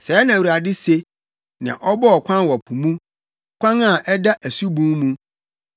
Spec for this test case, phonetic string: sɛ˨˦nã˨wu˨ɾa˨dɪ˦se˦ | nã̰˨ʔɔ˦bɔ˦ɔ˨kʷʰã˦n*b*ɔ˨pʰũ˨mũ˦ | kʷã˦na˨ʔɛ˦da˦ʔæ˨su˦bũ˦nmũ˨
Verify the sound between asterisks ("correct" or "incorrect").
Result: incorrect